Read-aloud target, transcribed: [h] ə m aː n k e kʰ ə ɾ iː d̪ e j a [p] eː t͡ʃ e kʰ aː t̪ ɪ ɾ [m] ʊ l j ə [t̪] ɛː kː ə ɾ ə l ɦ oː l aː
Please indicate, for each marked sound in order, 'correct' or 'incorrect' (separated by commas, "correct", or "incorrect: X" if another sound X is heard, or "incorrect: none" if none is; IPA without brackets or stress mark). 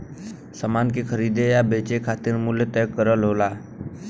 incorrect: s, incorrect: b, correct, correct